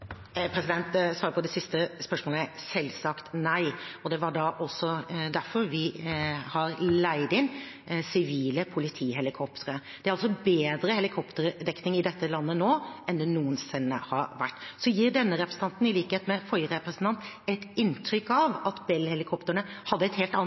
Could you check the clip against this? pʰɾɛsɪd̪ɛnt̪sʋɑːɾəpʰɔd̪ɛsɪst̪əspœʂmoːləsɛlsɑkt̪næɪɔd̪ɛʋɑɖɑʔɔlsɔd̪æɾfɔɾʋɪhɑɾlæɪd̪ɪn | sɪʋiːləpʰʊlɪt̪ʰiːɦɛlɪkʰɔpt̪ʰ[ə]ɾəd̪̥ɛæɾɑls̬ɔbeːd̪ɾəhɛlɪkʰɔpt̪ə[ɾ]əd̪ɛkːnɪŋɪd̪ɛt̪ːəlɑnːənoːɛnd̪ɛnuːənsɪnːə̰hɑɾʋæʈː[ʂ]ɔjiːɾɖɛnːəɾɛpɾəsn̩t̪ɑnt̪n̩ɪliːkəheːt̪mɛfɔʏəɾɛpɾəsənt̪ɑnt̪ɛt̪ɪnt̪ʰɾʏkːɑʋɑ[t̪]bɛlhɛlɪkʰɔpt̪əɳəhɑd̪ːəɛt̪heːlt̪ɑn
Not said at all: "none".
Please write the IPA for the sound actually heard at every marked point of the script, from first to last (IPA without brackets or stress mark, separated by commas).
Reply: ə, ɾ, s, t̪